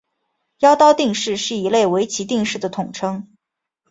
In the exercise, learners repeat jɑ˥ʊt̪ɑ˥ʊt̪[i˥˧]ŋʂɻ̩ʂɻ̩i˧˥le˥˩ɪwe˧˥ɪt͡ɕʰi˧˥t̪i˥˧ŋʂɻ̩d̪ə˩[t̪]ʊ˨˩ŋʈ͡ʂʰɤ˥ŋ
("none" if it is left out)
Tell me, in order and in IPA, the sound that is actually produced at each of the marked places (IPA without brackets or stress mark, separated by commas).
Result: i˥˧, t̪ʰ